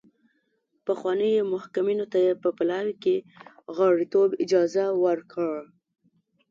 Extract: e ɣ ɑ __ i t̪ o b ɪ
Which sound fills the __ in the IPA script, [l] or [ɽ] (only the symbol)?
ɽ